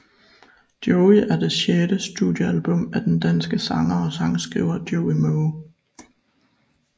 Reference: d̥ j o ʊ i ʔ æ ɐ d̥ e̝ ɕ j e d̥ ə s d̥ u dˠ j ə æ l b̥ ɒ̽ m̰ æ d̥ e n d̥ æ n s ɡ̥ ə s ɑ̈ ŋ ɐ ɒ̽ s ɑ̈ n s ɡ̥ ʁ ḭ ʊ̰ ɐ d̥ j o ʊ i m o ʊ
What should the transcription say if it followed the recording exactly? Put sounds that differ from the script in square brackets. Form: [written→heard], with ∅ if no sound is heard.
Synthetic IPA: d̥ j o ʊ i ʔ æ ɐ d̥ e̝ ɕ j e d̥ ə s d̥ u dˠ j ə æ l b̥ [ɒ̽→ɔ̽] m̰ æ d̥ e n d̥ æ n s ɡ̥ ə s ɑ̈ ŋ ɐ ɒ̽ s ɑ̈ [n→ŋ] s ɡ̥ ʁ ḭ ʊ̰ ɐ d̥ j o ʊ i m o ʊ